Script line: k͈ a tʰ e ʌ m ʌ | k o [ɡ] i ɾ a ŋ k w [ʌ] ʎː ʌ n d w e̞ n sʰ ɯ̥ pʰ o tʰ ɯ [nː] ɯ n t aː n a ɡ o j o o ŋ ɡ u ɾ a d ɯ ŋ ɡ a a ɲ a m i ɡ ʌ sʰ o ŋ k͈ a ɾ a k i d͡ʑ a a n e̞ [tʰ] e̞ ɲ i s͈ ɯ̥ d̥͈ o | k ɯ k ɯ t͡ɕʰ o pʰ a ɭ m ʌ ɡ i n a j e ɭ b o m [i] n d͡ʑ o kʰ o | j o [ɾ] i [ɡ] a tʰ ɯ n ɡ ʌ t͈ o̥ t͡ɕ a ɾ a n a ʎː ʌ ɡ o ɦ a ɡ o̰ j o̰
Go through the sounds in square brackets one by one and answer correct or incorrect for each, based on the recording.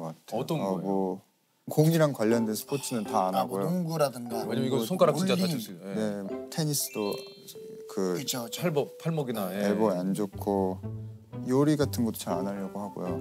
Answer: incorrect: ŋ, incorrect: a, incorrect: n, correct, incorrect: a, correct, correct

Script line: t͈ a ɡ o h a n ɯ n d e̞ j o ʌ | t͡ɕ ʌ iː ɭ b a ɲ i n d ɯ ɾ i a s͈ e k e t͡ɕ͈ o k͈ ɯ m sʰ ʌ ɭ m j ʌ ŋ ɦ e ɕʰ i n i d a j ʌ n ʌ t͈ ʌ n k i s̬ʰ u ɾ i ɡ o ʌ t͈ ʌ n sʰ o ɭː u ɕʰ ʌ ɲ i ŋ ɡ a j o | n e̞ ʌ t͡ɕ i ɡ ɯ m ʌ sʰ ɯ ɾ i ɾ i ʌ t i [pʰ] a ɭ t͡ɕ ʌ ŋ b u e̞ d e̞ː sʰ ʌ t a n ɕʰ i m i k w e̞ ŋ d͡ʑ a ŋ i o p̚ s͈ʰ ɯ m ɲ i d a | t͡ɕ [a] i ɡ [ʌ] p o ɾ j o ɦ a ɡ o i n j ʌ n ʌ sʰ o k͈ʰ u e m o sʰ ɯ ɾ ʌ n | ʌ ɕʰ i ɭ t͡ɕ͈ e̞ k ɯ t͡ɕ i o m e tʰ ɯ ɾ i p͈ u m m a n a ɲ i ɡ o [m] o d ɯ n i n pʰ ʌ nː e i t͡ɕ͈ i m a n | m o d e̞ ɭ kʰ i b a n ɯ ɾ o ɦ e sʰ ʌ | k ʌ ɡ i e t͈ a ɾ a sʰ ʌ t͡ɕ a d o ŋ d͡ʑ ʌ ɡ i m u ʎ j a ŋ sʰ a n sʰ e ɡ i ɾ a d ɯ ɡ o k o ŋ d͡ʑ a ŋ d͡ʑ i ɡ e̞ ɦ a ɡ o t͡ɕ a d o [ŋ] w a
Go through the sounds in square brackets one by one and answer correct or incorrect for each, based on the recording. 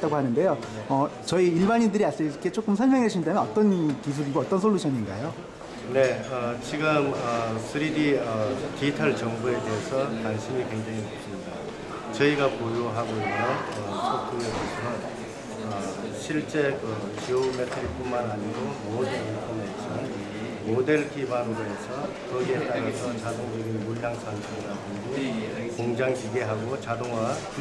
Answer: incorrect: tʰ, incorrect: ʌ, incorrect: a, correct, correct

